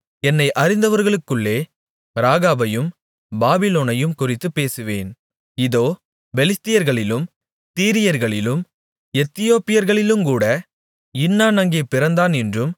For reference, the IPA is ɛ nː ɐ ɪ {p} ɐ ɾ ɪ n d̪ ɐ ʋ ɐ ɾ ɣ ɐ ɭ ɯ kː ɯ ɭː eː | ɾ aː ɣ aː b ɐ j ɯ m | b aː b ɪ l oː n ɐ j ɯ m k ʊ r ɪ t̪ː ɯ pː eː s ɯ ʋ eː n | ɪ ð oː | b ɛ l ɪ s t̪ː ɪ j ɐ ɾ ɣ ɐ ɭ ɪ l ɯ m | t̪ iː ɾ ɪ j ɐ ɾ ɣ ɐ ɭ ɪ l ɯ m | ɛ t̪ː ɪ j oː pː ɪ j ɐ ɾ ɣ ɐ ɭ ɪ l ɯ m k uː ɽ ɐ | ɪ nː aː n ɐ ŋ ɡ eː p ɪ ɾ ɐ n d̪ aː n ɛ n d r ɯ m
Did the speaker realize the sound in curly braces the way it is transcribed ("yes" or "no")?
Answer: no